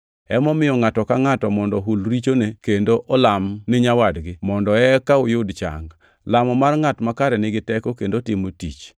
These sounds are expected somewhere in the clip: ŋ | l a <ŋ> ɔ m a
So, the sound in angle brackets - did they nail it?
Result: no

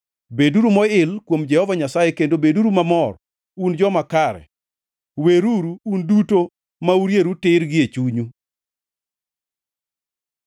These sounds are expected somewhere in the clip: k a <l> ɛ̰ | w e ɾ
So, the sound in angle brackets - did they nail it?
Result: no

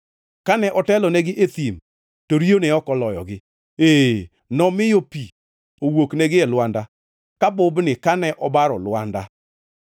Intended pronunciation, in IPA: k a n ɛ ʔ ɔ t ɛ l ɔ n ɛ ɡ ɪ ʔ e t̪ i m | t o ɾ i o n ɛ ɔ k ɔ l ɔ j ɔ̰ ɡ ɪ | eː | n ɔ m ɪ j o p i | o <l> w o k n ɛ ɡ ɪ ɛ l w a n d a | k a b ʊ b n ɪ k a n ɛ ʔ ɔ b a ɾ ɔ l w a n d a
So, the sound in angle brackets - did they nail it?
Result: no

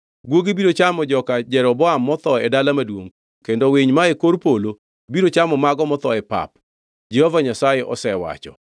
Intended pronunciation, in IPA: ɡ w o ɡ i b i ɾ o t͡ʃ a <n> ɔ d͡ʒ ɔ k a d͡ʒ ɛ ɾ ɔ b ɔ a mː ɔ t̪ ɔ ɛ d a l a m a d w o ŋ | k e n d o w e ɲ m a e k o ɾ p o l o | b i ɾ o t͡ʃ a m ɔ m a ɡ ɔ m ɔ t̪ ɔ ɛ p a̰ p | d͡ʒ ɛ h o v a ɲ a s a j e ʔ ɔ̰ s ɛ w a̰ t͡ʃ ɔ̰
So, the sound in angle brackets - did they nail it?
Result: no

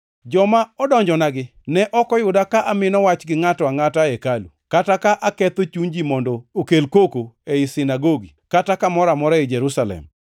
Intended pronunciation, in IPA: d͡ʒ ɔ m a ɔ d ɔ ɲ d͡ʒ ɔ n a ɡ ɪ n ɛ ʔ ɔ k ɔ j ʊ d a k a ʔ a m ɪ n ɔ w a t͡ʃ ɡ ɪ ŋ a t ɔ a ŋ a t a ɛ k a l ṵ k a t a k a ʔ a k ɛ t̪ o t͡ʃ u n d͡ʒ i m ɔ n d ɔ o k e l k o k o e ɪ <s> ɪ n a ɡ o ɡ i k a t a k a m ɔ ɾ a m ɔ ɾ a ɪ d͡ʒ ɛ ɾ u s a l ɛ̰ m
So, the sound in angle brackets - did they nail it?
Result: yes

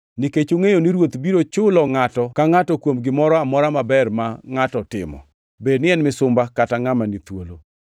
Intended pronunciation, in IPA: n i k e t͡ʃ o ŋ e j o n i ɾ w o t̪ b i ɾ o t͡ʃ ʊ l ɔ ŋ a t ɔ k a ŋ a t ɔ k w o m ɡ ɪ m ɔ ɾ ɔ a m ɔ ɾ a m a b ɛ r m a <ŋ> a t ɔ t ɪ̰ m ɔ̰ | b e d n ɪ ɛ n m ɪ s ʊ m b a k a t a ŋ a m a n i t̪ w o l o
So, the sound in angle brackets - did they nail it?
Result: yes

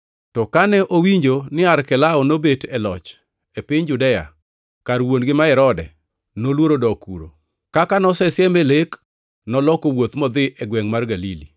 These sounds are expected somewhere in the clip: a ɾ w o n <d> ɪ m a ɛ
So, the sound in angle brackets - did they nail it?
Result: no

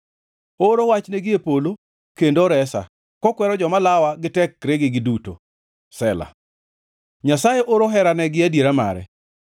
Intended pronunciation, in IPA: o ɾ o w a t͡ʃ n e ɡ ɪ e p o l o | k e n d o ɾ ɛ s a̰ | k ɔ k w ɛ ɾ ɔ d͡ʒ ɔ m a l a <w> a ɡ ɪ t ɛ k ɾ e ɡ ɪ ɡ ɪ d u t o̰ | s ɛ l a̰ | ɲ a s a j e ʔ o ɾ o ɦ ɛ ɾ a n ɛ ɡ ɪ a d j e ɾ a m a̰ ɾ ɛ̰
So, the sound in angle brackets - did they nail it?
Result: yes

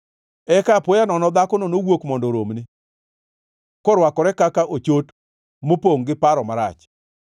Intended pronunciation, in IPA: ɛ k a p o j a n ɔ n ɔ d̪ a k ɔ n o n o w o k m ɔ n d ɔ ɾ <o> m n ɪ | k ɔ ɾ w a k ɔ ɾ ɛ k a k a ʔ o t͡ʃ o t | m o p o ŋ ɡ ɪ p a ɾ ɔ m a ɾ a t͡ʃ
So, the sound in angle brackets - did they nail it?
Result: yes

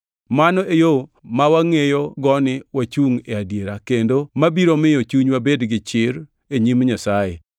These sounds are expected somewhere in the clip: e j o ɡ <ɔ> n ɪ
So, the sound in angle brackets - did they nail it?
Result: yes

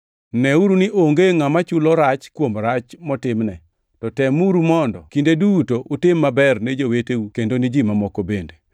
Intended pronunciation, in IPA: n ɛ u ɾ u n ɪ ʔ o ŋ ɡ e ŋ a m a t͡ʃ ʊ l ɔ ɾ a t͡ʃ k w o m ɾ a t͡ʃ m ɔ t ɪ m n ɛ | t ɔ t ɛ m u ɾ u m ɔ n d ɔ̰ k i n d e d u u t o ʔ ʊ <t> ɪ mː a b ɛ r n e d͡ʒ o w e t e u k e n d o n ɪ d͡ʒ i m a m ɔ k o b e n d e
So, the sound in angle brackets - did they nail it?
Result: yes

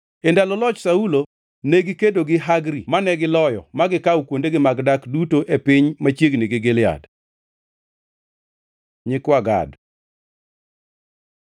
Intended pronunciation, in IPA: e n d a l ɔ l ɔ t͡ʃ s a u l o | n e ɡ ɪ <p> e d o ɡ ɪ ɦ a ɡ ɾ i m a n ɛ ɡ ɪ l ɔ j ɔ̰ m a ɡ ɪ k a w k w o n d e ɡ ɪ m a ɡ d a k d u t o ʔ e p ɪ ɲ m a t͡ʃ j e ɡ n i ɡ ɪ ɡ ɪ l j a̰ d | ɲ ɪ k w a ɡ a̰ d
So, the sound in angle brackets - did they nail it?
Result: no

